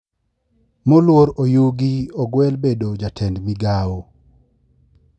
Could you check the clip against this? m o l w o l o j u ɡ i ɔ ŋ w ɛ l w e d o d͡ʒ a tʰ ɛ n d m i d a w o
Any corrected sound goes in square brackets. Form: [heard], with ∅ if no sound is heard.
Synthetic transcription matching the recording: m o l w o [ɾ] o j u ɡ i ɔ [ɡ] w ɛ l [b] e d o d͡ʒ a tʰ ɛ n d m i [ɡ] a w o